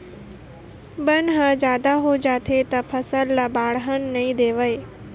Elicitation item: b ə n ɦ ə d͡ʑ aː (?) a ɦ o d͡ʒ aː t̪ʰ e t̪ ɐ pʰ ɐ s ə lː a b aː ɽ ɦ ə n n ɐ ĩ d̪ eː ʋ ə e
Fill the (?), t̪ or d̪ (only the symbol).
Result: d̪